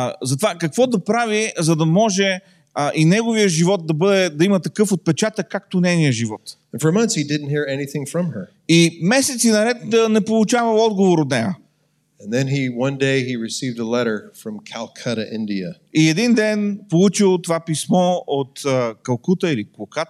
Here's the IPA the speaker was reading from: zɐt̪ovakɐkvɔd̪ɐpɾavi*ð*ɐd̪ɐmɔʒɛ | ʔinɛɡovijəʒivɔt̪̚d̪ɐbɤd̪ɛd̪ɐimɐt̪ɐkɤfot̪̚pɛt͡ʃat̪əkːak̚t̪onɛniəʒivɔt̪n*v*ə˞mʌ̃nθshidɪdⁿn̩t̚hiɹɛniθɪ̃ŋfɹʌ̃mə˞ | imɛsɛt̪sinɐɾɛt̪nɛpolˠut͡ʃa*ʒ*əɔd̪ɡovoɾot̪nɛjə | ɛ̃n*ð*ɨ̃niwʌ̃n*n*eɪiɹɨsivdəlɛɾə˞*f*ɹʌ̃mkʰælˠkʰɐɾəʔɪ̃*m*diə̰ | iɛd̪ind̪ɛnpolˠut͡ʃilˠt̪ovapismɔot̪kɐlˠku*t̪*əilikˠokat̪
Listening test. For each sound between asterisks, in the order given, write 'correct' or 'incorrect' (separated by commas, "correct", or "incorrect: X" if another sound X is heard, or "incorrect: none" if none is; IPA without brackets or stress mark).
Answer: incorrect: z, incorrect: f, incorrect: v, correct, incorrect: d, correct, incorrect: n, correct